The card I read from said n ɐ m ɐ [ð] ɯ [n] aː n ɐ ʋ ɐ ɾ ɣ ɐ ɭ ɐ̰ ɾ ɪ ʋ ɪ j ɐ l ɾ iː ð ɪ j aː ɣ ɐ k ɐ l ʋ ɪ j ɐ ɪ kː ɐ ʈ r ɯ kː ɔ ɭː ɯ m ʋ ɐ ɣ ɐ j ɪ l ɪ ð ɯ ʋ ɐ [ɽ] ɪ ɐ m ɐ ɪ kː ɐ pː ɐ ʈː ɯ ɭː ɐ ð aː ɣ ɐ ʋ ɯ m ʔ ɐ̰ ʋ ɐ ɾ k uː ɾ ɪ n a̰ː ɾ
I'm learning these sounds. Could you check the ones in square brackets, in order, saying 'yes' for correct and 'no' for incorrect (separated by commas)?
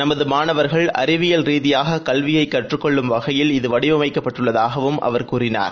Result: yes, no, yes